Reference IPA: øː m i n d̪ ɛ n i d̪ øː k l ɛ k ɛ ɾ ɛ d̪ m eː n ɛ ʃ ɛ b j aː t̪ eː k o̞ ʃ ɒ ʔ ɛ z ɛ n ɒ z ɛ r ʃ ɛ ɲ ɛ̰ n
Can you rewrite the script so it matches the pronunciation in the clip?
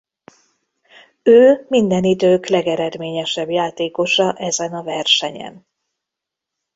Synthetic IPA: øː m i n d̪ ɛ n i d̪ øː k l ɛ ɡ ɛ ɾ ɛ d̪ m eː ɲ ɛ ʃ ɛ b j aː t̪ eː k o̞ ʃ ɒ ʔ ɛ z ɛ n ɒ v ɛ r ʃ ɛ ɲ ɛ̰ n